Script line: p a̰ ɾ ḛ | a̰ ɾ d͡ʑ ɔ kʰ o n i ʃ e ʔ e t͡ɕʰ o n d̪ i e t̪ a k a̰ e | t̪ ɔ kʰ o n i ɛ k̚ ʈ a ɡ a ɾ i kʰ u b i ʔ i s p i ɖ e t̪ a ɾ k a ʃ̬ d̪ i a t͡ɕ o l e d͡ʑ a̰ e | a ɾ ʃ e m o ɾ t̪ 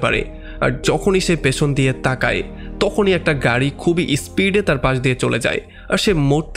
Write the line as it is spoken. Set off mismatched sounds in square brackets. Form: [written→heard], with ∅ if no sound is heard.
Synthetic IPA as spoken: p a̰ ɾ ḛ | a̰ ɾ d͡ʑ ɔ kʰ o n i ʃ e [ʔ→p] e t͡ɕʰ o n d̪ i e t̪ a k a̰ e | t̪ ɔ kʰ o n i ɛ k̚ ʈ a ɡ a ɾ i kʰ u b i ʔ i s p i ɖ e t̪ a ɾ [k→p] a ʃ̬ d̪ i [a→e] t͡ɕ o l e d͡ʑ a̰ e | a ɾ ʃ e m o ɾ t̪